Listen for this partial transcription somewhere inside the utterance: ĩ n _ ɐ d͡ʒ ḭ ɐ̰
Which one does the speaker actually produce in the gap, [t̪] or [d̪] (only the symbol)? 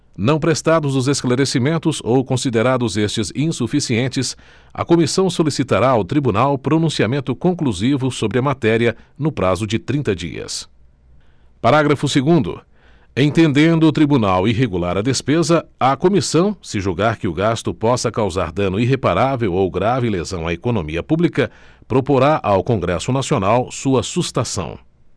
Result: t̪